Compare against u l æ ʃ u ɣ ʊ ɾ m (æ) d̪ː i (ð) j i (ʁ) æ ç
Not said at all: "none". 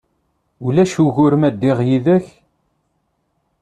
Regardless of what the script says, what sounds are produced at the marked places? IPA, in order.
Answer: æ, ʁ, ð

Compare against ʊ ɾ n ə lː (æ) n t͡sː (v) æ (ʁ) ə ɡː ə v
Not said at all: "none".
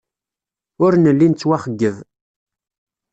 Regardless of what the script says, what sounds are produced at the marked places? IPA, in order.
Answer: i, w, χ

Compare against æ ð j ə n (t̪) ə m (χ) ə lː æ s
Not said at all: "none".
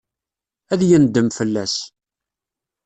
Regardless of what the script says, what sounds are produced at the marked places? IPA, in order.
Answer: d̪, f

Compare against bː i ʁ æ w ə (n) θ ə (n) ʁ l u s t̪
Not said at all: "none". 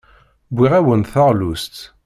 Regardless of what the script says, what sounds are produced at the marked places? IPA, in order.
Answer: n, none

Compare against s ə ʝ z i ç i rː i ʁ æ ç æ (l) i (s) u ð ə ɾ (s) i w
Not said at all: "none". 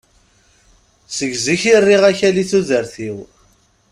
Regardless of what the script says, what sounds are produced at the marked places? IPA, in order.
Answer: l, θ, θ

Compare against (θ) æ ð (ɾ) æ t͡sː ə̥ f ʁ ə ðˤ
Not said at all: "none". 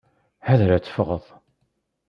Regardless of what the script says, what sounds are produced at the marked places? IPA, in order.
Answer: h, ɾ

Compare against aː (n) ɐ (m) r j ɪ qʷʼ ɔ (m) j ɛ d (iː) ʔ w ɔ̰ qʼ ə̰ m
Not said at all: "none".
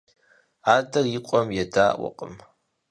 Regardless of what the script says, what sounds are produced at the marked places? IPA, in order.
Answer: d, none, m, aː

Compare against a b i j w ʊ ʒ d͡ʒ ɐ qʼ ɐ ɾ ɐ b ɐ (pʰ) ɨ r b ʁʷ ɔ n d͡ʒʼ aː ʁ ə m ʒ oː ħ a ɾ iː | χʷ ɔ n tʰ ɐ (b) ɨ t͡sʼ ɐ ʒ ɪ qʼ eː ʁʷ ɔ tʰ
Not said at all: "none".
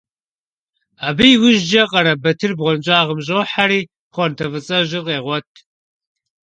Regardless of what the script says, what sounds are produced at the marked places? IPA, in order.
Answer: tʰ, v

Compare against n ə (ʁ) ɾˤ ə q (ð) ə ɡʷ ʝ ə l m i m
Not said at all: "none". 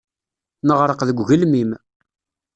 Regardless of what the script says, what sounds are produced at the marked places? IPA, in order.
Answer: ʁ, ð

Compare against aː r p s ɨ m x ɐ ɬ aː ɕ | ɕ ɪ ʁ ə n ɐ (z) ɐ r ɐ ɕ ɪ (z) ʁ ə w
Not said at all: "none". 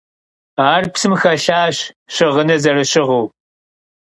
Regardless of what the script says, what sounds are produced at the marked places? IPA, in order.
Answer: z, none

